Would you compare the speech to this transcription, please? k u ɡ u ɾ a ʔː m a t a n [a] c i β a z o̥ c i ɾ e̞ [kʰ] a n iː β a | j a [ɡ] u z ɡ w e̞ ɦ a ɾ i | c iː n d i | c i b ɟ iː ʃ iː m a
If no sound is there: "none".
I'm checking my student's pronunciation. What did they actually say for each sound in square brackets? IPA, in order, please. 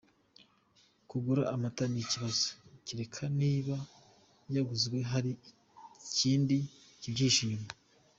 i, kʰ, ɡ

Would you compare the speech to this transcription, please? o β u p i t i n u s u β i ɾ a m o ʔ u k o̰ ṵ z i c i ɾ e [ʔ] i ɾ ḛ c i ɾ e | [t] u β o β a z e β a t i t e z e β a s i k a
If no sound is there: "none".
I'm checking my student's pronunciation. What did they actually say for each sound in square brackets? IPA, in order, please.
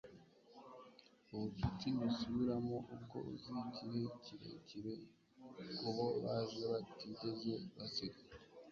c, k

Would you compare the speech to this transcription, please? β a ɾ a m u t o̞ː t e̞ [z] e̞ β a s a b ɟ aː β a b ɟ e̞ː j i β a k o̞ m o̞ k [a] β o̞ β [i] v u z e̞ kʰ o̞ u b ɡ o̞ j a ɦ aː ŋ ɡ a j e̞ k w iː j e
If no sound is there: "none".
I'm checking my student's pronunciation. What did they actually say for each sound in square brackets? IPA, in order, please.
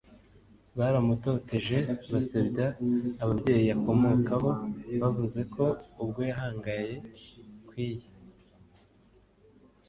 ʒ, a, a

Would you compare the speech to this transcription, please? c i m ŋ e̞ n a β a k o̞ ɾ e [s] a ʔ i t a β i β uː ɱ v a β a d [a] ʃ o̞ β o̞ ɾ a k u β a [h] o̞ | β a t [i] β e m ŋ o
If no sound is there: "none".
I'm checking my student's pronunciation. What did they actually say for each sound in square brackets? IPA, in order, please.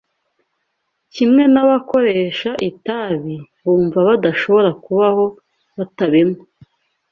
ʃ, a, h, a

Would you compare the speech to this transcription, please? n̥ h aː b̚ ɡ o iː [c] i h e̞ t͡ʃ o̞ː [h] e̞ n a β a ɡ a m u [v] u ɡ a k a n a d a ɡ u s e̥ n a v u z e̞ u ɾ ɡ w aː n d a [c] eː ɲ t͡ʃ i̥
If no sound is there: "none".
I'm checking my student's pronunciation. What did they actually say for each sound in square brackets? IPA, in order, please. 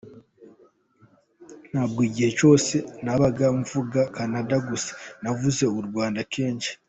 ɟ, s, v, k

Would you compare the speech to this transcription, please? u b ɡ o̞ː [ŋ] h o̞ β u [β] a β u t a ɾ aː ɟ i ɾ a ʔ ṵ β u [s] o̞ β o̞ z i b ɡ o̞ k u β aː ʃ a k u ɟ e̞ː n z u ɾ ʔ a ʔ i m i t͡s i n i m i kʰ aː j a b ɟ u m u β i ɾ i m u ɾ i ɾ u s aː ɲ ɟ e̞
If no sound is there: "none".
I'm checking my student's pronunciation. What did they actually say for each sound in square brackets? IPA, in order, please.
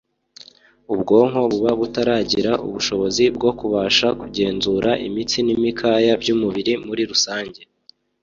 ŋ, β, ʃ

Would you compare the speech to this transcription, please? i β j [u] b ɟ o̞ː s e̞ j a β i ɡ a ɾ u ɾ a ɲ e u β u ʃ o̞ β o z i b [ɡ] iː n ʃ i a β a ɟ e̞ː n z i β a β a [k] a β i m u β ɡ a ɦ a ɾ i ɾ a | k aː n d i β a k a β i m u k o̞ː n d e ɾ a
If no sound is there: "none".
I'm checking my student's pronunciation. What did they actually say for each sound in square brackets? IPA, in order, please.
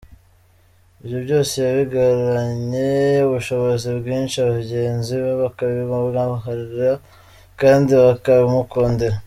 o, ɡ, k

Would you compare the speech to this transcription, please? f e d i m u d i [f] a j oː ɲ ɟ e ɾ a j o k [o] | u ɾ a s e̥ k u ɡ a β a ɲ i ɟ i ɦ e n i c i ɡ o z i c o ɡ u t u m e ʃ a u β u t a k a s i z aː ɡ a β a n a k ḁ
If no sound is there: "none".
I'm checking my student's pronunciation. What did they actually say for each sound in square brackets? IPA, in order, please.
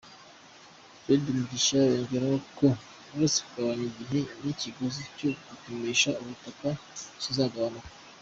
ʃ, o

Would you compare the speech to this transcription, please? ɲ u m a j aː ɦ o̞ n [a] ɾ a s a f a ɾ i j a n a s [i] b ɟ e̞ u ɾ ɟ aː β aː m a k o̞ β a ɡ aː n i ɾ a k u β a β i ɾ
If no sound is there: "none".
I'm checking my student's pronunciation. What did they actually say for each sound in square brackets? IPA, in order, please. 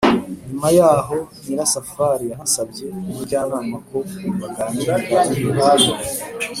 i, a

